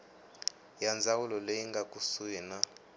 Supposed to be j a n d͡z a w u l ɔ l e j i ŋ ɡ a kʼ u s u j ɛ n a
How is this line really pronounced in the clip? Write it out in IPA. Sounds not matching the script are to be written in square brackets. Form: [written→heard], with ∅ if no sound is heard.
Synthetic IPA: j a n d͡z a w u l ɔ l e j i ŋ ɡ a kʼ u s u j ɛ n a